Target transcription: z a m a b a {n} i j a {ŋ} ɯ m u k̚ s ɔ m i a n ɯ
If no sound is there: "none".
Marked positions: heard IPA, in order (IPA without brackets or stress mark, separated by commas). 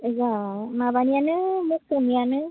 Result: n, n